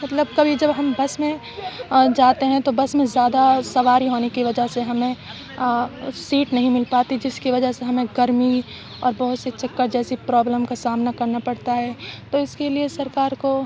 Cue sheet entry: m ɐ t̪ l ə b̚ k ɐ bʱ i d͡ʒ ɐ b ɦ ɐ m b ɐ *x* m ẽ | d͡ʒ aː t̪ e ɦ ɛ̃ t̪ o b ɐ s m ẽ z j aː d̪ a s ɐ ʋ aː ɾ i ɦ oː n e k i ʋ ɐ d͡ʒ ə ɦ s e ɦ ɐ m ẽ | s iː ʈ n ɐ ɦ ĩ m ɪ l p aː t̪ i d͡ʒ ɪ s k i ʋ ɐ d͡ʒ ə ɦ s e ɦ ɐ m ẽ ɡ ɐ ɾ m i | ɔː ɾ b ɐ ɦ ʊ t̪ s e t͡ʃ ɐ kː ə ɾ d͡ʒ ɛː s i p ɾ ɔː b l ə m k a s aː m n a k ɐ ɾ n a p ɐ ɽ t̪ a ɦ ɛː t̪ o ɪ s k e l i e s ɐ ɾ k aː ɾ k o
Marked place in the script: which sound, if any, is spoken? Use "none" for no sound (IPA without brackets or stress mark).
s